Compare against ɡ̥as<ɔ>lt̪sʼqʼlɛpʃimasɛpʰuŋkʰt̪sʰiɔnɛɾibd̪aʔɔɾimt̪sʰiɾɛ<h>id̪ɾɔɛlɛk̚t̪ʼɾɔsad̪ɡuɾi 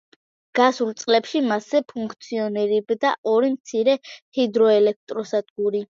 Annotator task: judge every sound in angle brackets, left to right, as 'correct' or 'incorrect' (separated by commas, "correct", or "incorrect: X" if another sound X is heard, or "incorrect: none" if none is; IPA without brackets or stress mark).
incorrect: u, correct